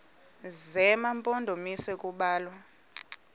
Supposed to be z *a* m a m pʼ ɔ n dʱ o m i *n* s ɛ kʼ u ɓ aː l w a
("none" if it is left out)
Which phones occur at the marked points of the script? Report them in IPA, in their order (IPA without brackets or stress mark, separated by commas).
ɛ, none